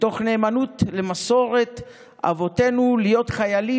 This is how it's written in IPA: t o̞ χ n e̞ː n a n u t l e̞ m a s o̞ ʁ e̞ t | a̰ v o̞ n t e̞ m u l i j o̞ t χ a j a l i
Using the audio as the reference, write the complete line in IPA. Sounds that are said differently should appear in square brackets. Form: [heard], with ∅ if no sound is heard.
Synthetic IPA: t o̞ χ n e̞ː [m] a n u t l e̞ m a s o̞ ʁ e̞ t | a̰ v o̞ [∅] t e̞ [n] u l i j o̞ t χ a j a l i